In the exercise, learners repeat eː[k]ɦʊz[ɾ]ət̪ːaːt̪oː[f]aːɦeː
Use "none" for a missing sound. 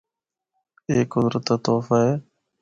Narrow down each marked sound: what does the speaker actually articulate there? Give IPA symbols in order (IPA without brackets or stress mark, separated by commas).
k, ɾ, f